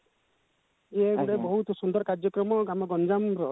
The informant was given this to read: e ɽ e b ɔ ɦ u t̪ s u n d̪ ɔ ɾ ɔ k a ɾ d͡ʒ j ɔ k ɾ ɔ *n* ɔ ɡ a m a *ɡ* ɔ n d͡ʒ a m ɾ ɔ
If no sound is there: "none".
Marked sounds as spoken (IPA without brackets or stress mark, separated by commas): m, ɡ